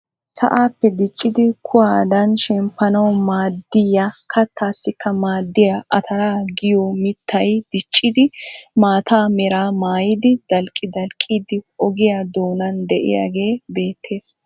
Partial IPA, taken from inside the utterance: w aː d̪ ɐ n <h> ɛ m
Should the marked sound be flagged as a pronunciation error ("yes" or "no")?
yes